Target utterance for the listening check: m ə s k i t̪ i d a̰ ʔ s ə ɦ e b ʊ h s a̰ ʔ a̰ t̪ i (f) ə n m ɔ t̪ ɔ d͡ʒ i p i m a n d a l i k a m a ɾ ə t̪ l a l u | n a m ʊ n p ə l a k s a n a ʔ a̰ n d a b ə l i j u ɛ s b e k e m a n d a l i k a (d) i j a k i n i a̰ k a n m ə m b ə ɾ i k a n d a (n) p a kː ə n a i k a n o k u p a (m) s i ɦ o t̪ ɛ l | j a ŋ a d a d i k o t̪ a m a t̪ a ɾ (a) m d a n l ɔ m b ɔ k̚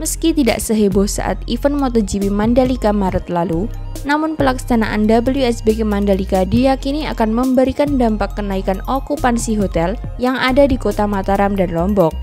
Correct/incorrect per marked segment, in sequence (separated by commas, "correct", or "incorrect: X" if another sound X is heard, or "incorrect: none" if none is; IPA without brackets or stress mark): correct, correct, incorrect: m, incorrect: n, correct